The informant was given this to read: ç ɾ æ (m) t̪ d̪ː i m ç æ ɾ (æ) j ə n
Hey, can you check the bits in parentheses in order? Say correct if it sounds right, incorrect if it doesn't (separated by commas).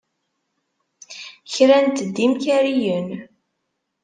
incorrect, incorrect